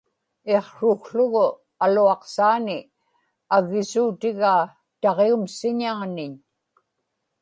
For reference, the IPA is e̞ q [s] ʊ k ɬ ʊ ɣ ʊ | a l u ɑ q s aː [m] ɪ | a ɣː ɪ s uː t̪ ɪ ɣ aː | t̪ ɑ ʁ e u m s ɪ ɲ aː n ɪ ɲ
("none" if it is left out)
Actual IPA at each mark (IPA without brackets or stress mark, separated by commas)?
ʂ, n